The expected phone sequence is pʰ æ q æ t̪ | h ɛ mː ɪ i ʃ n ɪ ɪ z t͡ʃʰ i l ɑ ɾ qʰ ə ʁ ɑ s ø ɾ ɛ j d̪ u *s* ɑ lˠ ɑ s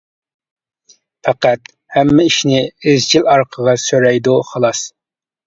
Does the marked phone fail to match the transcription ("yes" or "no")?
yes